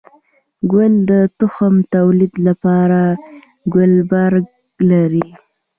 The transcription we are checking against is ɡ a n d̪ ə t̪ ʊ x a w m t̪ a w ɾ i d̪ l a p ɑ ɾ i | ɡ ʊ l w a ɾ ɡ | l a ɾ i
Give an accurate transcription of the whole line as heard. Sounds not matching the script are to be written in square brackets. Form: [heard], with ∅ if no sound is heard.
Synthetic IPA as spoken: ɡ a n d̪ ə t̪ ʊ x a [∅] m t̪ a w [l] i d̪ l a p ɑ ɾ [a] | ɡ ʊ l [b] a ɾ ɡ | l a ɾ i

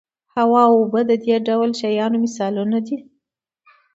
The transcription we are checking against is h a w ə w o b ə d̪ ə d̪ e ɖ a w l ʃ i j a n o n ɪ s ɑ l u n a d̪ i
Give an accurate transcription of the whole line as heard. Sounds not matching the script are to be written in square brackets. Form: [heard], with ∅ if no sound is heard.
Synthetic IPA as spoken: h a w [ɑ] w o b ə d̪ ə d̪ e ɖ a w l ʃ [a] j [ɑ] n o [m] ɪ s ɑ l u n a d̪ i

